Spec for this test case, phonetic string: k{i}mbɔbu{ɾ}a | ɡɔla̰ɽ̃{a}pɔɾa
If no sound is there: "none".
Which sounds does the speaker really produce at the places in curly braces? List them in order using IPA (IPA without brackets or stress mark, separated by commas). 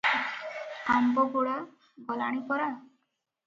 a, ɽ, i